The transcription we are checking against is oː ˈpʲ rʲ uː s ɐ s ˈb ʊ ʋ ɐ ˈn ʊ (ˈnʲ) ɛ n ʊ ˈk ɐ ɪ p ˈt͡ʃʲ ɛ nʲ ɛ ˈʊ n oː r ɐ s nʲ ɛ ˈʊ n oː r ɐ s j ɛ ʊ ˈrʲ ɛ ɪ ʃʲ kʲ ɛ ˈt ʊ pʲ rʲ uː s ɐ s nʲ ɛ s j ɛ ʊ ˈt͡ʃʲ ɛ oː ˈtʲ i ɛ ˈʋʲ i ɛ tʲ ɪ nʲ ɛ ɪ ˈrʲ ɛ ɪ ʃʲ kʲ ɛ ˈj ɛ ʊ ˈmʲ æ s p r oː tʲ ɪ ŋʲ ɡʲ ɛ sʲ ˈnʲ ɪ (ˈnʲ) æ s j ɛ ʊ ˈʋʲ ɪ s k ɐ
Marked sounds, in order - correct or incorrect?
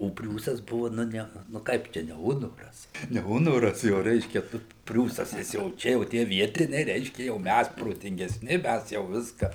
correct, incorrect

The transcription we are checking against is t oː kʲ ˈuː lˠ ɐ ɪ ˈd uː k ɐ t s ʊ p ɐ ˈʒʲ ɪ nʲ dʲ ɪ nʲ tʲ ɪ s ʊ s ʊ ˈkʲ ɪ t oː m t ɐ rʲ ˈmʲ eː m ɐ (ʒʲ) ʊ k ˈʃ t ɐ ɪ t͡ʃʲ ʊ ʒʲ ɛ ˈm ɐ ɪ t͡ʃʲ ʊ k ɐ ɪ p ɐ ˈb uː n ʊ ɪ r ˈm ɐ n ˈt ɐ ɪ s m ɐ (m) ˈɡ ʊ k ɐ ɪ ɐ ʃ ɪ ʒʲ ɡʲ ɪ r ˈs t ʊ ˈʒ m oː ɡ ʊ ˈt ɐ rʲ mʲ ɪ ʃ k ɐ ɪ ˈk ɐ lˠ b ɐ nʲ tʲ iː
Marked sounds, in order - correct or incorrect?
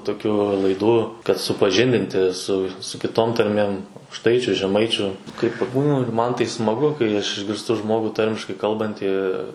incorrect, incorrect

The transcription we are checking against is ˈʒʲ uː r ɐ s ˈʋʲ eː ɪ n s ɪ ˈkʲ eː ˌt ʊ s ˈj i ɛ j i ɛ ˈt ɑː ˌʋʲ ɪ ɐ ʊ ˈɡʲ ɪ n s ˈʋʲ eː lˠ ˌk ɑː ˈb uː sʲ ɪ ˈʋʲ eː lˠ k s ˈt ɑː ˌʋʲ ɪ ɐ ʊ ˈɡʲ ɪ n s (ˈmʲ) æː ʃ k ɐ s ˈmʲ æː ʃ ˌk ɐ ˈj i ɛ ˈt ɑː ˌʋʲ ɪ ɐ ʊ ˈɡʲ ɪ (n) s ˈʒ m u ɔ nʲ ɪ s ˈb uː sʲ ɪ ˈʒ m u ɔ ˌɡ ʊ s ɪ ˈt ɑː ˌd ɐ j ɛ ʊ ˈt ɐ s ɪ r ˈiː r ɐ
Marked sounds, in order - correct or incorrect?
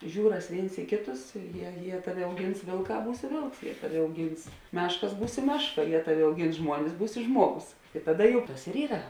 correct, correct

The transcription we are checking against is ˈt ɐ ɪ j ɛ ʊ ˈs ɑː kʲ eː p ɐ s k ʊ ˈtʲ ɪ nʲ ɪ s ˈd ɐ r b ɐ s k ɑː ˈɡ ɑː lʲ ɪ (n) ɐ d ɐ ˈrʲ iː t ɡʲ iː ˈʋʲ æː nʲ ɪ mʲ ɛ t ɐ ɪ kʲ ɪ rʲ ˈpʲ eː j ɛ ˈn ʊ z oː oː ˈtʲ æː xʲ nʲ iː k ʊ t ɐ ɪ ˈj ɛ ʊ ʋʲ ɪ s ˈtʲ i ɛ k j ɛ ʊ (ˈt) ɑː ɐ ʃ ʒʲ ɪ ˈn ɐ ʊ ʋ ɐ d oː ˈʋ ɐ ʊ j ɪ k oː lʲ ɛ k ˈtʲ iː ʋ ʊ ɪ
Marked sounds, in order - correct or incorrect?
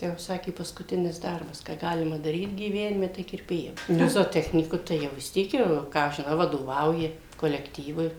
incorrect, incorrect

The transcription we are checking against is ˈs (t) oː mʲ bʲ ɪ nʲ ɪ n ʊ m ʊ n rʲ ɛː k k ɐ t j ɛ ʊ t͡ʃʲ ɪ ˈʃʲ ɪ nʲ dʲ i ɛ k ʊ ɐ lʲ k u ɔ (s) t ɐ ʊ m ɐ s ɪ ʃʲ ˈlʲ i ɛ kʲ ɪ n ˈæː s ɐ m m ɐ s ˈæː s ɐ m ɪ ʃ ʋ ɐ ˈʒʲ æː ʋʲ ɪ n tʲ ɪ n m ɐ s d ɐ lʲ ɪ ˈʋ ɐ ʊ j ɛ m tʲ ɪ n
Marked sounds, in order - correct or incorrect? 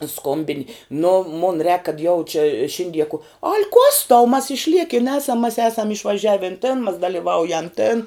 incorrect, correct

